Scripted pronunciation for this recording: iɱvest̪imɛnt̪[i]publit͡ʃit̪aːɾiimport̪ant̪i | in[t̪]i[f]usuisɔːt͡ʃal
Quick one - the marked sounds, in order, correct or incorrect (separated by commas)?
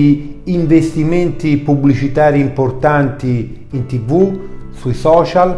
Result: correct, correct, incorrect